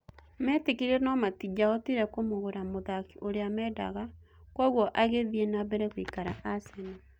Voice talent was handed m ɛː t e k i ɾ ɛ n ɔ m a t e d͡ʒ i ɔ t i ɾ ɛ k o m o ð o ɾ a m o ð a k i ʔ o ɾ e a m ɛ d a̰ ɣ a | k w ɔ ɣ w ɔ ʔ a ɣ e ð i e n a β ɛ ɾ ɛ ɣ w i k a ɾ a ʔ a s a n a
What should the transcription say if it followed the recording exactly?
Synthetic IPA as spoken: m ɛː t e k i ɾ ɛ n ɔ m a t i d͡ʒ a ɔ t i ɾ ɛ k o m o ɣ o ɾ a m o ð a k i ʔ o ɾ e a m ɛ d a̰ ɣ a | k w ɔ ɣ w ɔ ʔ a ɣ e ð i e n a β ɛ ɾ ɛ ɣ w i k a ɾ a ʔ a s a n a